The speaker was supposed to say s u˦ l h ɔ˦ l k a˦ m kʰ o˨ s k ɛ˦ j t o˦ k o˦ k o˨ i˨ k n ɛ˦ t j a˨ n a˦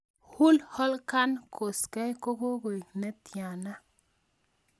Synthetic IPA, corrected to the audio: h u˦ l h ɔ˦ l k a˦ n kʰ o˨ s k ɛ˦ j k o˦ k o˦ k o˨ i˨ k n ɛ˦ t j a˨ n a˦